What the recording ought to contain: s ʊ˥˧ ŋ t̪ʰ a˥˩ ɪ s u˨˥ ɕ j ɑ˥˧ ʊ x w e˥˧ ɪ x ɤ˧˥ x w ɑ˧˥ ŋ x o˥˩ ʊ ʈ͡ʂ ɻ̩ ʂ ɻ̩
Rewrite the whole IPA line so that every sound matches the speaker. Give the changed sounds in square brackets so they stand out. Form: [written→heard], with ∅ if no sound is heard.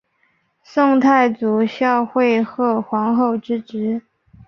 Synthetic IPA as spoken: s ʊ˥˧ ŋ t̪ʰ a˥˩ ɪ [s→t͡s] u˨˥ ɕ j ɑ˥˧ ʊ x w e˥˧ ɪ x [ɤ˧˥→ɤ˥˩] x w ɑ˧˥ ŋ x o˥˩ ʊ ʈ͡ʂ ɻ̩ [ʂ→ʈ͡ʂ] ɻ̩